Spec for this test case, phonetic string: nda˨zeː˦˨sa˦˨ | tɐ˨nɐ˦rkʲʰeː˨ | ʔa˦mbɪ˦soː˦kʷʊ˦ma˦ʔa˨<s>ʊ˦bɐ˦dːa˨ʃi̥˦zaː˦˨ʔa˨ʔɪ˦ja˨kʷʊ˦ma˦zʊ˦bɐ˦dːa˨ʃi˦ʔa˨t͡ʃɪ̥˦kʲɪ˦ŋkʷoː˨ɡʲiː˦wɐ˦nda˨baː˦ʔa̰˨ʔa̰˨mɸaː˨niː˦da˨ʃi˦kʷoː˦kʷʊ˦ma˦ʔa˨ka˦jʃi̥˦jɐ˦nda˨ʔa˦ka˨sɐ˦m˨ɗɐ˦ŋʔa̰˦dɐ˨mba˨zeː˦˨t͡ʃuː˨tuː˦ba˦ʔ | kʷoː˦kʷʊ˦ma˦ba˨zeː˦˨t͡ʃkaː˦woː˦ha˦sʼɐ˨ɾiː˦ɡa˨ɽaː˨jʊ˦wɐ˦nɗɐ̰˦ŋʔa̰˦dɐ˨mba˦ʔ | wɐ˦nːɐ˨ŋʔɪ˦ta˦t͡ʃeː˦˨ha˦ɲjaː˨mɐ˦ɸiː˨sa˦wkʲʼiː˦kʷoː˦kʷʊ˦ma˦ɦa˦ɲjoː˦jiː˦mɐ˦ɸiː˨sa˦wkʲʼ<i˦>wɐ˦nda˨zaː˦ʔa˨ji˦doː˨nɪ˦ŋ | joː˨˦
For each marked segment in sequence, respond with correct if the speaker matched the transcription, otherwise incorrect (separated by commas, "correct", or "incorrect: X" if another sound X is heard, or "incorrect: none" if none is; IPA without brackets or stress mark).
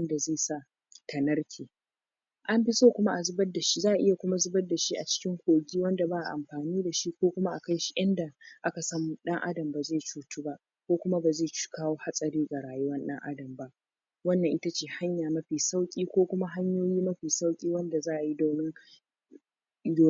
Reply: incorrect: z, incorrect: iː˦